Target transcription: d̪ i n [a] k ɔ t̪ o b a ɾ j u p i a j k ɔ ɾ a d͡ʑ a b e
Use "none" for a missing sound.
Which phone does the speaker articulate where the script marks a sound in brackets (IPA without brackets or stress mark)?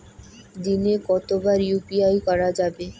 e